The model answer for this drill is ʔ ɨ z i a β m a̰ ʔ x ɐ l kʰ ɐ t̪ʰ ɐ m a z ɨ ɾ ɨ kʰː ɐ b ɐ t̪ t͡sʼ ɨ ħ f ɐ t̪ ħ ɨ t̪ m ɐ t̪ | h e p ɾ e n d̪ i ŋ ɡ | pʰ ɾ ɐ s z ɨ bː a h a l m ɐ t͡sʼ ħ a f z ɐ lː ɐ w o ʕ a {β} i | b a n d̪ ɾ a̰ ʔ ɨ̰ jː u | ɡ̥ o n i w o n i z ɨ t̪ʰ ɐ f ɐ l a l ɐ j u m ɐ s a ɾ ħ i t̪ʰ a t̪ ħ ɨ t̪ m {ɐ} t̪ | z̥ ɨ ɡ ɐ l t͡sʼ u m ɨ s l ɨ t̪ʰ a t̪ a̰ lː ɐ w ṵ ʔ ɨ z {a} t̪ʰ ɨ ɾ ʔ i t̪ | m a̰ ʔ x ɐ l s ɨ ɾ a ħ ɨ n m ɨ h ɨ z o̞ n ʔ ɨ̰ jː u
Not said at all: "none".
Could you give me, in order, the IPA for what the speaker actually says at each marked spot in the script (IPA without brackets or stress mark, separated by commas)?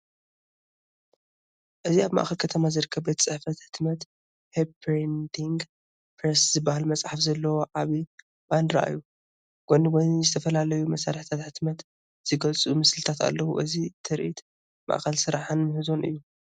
β, ɐ, i